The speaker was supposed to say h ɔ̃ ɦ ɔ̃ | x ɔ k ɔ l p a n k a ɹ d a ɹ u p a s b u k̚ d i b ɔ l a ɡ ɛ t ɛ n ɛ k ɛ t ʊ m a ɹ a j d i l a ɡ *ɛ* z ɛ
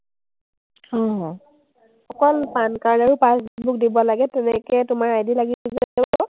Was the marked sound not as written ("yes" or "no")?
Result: yes